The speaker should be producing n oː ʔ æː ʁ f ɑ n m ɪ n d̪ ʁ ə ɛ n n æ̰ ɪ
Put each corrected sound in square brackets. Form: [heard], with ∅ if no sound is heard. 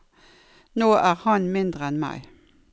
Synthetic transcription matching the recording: n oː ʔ æː ʁ [h] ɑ n m ɪ n d̪ ʁ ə ɛ n [m] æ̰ ɪ

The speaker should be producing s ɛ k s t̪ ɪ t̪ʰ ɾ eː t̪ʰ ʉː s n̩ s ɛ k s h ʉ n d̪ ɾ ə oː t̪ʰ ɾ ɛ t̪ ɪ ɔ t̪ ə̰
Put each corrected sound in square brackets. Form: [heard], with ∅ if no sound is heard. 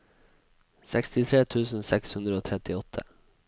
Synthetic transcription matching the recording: s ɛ k s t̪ ɪ t̪ʰ ɾ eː t̪ʰ ʉː s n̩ s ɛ k s h ʉ n d̪ ɾ ə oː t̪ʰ ɾ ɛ t̪ ɪ ɔ [t̪ʰ] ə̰

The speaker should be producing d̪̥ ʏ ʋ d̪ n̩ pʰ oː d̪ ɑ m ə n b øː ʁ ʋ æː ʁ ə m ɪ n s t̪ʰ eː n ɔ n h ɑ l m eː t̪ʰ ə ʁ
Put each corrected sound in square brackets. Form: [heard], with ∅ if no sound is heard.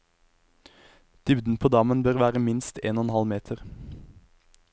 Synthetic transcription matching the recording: d̪̥ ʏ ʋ d̪ n̩ pʰ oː d̪ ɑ m ə n b øː ʁ ʋ æː ʁ ə m ɪ n s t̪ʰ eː n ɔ n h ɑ l m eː t̪ʰ ə ʁ

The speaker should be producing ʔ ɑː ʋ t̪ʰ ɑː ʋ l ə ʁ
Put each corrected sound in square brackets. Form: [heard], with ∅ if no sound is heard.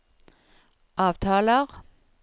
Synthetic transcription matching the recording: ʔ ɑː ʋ t̪ʰ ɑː [∅] l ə ʁ

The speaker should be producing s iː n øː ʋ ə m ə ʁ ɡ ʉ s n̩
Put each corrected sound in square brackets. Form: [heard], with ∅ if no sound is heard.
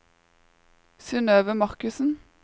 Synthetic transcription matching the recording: s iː n øː ʋ ə m [ɑ] ʁ [k] ʉ s n̩

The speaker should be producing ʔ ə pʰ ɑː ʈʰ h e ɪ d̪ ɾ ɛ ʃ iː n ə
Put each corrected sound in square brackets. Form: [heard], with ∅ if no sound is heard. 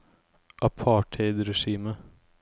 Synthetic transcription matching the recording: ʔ [ɑ] pʰ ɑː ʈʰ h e ɪ d̪ ɾ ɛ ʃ iː [m] ə

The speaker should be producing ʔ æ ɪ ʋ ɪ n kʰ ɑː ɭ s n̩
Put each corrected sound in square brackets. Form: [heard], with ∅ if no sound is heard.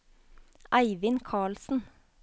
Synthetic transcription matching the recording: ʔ æ ɪ ʋ ɪ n kʰ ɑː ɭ s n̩

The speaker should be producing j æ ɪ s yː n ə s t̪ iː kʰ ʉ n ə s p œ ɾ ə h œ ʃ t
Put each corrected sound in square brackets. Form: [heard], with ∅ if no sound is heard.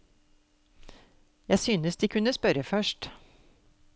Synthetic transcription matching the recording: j æ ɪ s yː n ə s [d̪] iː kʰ ʉ n ə s p œ ɾ ə [f] œ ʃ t

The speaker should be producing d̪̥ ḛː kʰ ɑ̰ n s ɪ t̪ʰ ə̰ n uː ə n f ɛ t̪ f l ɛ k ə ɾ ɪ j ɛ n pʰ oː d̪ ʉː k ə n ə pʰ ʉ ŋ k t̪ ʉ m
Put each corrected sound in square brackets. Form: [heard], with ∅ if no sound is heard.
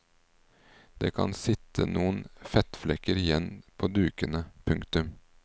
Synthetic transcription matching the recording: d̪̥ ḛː kʰ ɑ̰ n s ɪ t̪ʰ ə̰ n uː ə n f ɛ t̪ f l ɛ k ə ɾ ɪ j ɛ n pʰ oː d̪ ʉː k ə n ə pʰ ʉ ŋ k t̪ ʉ m

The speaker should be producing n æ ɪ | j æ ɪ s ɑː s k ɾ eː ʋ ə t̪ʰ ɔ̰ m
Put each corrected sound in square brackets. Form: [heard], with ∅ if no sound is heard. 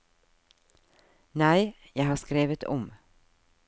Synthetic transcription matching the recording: n æ ɪ | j æ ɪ [h] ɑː s k ɾ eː ʋ ə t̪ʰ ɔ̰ m

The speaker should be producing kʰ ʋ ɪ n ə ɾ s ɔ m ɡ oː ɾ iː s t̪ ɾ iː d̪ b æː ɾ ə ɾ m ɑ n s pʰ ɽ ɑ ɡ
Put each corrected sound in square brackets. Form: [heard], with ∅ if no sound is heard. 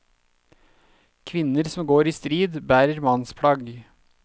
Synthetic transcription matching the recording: kʰ ʋ ɪ n ə ɾ s ɔ m ɡ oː ɾ iː s t̪ ɾ iː d̪ b æː ɾ ə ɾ m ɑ n s pʰ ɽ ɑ ɡ

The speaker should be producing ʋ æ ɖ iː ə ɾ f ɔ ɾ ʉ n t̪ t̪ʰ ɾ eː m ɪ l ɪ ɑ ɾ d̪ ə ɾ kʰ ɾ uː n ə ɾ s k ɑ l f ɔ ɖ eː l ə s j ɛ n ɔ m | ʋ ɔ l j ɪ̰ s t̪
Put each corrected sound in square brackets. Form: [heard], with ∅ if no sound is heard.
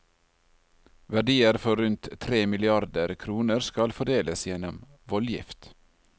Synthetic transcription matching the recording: ʋ æ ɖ iː ə ɾ f ɔ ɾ ʉ n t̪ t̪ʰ ɾ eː m ɪ l ɪ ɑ ɾ d̪ ə ɾ kʰ ɾ uː n ə ɾ s k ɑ l f ɔ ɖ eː l ə s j ɛ n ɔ m | ʋ ɔ l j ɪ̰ [f] t̪

